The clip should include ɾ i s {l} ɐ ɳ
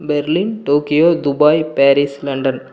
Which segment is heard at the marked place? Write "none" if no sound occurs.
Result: l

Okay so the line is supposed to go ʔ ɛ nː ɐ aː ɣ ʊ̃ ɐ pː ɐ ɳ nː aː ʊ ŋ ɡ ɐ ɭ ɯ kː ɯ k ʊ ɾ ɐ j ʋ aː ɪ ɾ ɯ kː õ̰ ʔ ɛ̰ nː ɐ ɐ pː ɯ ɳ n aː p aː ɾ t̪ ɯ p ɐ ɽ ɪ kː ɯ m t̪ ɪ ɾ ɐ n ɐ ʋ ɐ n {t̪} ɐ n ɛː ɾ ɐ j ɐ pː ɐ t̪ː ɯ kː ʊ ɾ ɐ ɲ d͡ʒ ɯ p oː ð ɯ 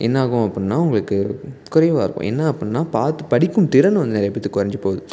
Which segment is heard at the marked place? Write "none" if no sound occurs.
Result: d̪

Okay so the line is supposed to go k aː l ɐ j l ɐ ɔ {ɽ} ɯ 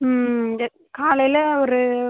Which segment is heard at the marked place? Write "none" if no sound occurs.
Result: ɾ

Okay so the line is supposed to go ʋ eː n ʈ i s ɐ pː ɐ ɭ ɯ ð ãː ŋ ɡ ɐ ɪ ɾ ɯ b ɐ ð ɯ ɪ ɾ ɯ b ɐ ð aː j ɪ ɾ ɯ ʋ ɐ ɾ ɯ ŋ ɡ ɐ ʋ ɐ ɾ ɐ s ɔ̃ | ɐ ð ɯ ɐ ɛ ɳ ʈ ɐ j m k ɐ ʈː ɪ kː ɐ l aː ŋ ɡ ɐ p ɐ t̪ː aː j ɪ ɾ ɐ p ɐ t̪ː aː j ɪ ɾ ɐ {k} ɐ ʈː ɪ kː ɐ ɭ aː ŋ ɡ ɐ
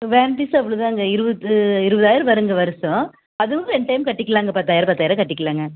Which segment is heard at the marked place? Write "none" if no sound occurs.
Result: k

